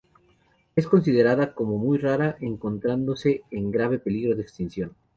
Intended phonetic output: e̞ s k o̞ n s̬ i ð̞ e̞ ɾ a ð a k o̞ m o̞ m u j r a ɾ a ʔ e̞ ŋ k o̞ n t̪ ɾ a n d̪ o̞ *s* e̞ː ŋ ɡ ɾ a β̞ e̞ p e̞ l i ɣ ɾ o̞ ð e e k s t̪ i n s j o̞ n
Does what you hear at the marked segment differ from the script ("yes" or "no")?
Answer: no